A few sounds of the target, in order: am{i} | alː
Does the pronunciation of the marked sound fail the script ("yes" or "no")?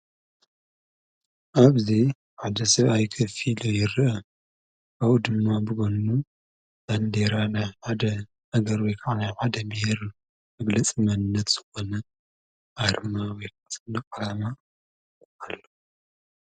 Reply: yes